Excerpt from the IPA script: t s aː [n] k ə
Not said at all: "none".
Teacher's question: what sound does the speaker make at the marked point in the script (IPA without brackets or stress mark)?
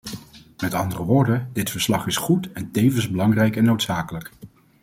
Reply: none